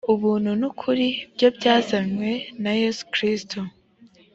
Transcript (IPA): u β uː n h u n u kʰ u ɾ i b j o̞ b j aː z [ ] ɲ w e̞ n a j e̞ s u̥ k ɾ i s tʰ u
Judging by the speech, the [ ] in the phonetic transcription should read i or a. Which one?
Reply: a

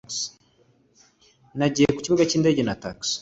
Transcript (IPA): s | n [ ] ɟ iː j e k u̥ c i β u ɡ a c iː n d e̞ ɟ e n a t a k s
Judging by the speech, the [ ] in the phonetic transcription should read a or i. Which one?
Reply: a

